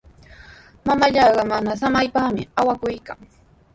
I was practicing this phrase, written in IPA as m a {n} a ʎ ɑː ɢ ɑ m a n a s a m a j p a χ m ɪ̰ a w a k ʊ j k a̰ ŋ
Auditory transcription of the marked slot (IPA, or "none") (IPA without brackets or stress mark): m